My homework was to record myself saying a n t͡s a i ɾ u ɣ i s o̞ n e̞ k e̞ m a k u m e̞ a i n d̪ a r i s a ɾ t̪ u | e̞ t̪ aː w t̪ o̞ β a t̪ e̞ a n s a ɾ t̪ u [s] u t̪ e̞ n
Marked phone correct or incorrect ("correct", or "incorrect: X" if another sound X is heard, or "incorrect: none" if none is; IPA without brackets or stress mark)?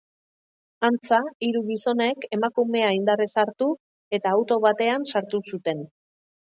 correct